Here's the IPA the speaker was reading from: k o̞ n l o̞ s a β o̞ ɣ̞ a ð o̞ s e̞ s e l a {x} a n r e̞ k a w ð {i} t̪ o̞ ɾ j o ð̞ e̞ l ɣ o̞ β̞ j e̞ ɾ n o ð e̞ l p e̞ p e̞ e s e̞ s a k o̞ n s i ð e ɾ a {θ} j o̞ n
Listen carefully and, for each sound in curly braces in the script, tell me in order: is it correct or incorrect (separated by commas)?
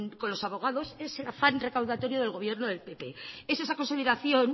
incorrect, incorrect, correct